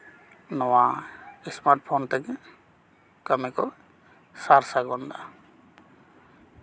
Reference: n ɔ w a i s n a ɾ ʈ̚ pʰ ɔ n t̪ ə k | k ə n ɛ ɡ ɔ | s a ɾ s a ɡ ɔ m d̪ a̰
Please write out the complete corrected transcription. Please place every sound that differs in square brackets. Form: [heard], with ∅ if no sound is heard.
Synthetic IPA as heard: n ɔ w a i s [m] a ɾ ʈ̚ pʰ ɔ n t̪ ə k | k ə [m] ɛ [k] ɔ | s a ɾ s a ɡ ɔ [n] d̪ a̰